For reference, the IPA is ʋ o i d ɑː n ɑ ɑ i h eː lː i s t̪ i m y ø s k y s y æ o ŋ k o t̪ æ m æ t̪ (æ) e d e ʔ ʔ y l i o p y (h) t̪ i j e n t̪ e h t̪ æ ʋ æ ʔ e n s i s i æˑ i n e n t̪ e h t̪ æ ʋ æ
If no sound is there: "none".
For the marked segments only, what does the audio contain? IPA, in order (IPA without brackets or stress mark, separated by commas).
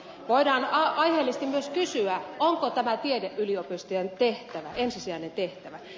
i, s